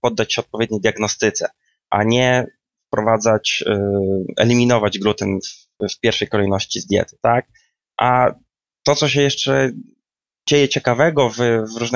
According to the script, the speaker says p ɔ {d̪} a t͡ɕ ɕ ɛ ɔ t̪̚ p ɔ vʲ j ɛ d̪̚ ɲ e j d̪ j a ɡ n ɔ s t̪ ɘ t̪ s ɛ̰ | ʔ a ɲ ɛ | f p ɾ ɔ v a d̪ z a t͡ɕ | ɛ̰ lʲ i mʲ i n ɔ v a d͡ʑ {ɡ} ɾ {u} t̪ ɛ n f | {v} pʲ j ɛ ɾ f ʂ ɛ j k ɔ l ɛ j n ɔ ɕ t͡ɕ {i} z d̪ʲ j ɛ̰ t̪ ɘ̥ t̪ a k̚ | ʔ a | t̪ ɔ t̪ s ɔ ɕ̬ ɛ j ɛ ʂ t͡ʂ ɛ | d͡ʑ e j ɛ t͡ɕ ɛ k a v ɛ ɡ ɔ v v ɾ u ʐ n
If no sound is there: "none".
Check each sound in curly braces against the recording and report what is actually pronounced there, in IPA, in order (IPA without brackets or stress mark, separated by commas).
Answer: d̪ː, ɡ, u, f, i